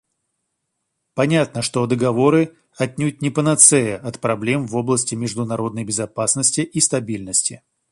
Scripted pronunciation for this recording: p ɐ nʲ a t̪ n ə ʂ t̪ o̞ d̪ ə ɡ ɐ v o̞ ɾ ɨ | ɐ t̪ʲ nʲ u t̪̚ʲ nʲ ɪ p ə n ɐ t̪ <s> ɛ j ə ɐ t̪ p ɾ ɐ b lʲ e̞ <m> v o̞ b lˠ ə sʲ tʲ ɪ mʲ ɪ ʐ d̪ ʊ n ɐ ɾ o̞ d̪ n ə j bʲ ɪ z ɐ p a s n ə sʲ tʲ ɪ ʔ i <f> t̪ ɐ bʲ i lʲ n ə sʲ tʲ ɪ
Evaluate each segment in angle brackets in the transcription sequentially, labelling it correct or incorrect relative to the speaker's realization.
correct, correct, incorrect

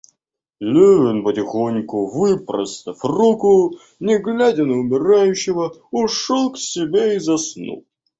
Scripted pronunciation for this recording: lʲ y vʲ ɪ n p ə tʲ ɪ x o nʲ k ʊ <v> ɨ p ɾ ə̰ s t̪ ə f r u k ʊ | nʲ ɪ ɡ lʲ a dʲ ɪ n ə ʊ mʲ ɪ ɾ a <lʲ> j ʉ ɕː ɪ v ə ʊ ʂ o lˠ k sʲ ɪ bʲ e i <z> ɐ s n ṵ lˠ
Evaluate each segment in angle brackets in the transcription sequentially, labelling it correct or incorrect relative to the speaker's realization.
correct, incorrect, correct

